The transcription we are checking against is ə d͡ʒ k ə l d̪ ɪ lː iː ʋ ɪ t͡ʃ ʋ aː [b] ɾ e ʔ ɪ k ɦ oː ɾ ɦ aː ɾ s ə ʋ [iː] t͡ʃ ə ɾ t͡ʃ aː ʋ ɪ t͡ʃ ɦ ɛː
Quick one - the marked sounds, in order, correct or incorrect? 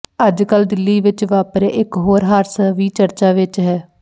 incorrect: p, correct

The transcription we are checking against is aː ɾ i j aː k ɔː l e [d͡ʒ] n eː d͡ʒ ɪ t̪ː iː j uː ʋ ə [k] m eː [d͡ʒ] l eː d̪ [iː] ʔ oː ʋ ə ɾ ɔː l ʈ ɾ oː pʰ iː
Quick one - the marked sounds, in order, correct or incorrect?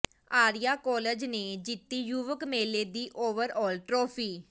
correct, correct, incorrect: none, correct

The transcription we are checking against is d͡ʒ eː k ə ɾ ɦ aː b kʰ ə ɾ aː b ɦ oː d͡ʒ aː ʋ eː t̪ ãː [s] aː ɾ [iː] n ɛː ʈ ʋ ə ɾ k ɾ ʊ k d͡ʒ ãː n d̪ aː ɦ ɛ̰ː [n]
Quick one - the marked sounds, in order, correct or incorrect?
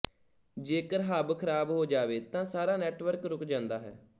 correct, incorrect: aː, incorrect: none

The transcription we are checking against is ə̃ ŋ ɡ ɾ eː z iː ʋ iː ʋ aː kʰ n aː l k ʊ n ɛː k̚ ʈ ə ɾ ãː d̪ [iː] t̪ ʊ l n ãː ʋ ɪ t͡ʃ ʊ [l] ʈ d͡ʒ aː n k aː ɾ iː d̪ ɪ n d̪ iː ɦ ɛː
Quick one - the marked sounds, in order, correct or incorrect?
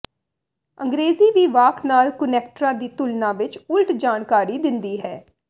correct, correct

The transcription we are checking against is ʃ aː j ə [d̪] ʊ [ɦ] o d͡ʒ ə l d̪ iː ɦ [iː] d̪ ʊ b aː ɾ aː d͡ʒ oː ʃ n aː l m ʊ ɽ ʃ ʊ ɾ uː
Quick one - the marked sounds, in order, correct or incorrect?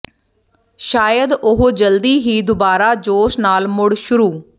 correct, correct, correct

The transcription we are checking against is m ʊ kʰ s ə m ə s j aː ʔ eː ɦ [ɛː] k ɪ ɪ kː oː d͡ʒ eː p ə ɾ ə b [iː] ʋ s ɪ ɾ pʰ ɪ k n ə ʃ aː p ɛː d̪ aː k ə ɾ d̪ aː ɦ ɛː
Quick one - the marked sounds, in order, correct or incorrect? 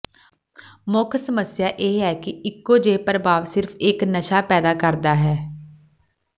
correct, incorrect: aː

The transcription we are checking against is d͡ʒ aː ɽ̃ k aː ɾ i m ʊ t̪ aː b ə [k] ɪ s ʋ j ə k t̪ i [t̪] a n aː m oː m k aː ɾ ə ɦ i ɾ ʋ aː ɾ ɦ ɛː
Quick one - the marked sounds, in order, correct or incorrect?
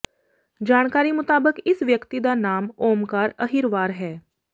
correct, incorrect: d̪

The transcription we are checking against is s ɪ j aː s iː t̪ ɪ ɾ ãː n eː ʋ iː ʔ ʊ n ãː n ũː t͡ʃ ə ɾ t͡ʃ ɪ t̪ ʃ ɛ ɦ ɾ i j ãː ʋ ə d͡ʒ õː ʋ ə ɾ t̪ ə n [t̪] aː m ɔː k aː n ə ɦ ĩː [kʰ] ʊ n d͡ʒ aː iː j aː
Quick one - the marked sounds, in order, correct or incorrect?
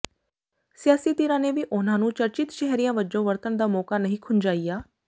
incorrect: d̪, correct

